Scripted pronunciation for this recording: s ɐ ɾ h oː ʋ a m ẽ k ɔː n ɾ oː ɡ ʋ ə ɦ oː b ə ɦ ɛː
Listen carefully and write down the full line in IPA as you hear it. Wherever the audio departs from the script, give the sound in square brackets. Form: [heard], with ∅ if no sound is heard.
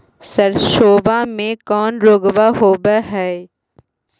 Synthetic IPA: s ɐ ɾ [ʃ] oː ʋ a m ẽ k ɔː n ɾ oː ɡ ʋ [a] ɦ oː b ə ɦ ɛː